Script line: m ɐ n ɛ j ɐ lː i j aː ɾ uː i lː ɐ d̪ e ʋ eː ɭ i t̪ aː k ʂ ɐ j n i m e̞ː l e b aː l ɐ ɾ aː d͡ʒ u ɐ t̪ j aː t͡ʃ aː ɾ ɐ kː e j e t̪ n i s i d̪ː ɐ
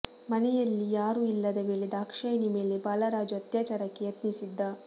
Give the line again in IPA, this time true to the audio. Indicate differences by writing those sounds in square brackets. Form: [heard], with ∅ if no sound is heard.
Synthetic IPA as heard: m ɐ n ɛ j ɐ lː i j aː ɾ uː i lː ɐ d̪ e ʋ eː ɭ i [d̪] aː k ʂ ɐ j n i m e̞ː l e b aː l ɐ ɾ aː d͡ʒ u ɐ t̪ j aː t͡ʃ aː ɾ ɐ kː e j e t̪ n i s i d̪ː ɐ